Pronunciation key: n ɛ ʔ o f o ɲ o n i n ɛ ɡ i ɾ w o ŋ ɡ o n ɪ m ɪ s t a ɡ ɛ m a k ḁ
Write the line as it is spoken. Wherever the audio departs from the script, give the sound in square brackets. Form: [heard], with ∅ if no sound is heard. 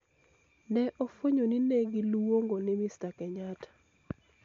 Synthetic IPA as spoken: n ɛ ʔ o f o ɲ o n i n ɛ ɡ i [l] w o ŋ ɡ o n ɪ m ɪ s t a [k] ɛ [ɲ] a [t] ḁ